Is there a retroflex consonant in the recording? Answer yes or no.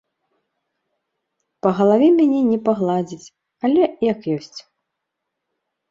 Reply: no